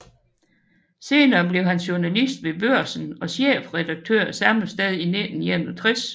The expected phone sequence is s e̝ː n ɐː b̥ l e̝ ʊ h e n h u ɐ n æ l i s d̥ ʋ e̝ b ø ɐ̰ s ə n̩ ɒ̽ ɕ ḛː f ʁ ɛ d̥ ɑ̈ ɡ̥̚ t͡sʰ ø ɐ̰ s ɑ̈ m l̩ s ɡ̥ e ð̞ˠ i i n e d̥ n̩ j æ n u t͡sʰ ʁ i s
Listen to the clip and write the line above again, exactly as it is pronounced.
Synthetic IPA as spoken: s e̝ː n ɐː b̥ l e̝ ʊ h æ n ɕ u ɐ n æ l i s d̥ ʋ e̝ b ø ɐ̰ s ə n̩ ɒ̽ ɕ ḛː f ʁ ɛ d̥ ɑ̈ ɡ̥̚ t͡sʰ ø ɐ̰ s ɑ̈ m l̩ s d̥ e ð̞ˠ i i n e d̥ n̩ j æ n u t͡sʰ ʁ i s